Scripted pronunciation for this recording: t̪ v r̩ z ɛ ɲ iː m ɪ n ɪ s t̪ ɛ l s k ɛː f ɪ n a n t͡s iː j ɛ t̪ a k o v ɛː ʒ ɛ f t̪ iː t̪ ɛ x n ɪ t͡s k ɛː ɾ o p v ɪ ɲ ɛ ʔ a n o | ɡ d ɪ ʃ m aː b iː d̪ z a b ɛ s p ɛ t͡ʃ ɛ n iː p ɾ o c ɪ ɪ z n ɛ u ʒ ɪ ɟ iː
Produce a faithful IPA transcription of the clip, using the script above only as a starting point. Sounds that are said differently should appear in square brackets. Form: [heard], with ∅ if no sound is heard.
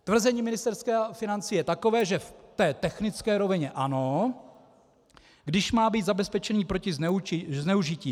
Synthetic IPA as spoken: t̪ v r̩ z ɛ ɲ iː m ɪ n ɪ s t̪ ɛ [ɾ] s k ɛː f ɪ n a n t͡s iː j ɛ t̪ a k o v ɛː ʒ ɛ f t̪ [ɛː] t̪ ɛ x n ɪ t͡s k ɛː ɾ o [∅] v ɪ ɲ ɛ ʔ a n o | ɡ d ɪ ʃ m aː b iː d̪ z a b ɛ s p ɛ t͡ʃ ɛ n iː p ɾ o c ɪ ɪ z n ɛ u ʒ ɪ [c] iː